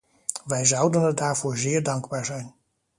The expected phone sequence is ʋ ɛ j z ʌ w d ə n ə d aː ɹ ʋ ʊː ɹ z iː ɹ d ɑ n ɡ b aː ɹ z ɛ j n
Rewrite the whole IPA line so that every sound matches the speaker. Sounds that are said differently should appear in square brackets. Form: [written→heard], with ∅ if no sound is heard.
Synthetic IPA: ʋ ɛ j z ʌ w d ə n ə d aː ɹ [ʋ→v] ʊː ɹ z [iː→ɪː] ɹ d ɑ [n→ŋ] ɡ b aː ɹ z ɛ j n